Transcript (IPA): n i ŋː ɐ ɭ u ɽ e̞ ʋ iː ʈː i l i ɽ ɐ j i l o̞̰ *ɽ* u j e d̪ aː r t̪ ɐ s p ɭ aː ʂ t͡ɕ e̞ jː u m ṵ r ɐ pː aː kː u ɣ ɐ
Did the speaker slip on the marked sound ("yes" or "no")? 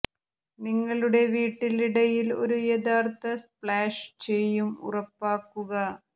yes